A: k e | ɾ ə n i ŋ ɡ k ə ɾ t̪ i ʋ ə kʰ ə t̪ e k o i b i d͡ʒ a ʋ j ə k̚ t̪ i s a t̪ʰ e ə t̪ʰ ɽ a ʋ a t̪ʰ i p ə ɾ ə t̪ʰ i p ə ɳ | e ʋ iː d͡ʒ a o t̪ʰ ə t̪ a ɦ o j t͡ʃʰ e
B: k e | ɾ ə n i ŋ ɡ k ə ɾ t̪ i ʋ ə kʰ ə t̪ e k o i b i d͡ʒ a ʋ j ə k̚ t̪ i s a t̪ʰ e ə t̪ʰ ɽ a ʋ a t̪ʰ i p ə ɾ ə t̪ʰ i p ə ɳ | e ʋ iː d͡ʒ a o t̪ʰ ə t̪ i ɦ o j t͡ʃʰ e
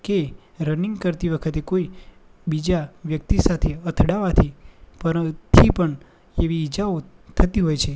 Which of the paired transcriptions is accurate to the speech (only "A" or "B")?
B